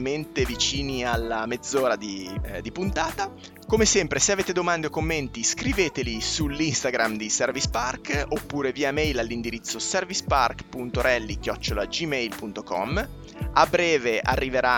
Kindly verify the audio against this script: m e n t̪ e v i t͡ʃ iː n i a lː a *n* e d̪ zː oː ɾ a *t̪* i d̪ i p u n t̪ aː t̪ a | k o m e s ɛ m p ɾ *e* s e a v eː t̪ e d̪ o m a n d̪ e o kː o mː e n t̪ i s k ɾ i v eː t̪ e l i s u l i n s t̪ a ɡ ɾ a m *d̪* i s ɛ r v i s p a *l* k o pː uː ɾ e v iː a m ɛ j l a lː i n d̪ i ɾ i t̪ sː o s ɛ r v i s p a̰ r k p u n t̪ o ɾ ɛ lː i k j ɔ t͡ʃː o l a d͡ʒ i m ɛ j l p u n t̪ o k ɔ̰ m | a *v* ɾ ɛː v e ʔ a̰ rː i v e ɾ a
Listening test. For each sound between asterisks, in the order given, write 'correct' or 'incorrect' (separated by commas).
incorrect, incorrect, correct, correct, incorrect, incorrect